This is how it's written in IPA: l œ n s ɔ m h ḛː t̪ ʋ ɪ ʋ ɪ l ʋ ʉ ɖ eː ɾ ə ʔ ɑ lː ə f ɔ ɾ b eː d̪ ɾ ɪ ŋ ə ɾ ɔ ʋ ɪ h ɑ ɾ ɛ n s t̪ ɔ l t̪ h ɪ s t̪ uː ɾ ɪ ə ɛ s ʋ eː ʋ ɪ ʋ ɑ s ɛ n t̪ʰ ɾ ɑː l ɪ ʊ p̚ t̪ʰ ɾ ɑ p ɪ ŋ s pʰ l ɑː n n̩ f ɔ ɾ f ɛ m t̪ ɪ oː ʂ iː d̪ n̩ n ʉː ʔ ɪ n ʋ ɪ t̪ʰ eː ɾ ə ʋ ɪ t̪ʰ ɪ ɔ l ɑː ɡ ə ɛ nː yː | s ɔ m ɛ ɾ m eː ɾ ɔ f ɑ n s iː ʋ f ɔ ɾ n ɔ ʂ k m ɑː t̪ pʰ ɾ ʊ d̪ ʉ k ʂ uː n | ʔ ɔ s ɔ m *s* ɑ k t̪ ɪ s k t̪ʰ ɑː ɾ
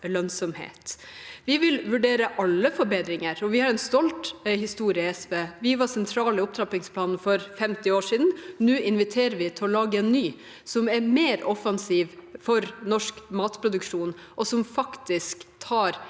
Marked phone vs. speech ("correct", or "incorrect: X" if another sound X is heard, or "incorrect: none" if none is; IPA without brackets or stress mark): incorrect: f